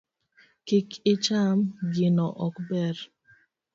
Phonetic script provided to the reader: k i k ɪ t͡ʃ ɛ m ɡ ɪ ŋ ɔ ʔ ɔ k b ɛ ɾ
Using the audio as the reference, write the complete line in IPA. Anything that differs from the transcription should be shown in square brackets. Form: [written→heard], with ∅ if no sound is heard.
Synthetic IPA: k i k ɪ t͡ʃ [ɛ→a] m ɡ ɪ [ŋ→n] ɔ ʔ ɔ k b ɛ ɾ